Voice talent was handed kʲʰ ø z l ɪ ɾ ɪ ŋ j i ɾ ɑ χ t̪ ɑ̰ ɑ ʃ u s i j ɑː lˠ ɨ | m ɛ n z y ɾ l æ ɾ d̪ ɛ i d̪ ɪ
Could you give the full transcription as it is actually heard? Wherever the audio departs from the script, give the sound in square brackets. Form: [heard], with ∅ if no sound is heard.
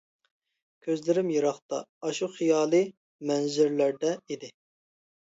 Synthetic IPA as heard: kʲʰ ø z l ɪ ɾ ɪ [m] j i ɾ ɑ χ t̪ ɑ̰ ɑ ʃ u [χ] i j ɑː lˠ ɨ | m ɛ n z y ɾ l æ ɾ d̪ ɛ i d̪ ɪ